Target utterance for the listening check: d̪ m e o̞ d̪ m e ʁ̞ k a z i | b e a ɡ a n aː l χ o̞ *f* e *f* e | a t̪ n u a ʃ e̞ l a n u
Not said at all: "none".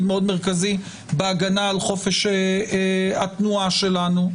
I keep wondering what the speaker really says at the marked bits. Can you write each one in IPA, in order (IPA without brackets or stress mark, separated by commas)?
f, ʃ